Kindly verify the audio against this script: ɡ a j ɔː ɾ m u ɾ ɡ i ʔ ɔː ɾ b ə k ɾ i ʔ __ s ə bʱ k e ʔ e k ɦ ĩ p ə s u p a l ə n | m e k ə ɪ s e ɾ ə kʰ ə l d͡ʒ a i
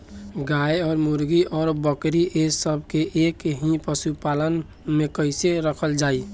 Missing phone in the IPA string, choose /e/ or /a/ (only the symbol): e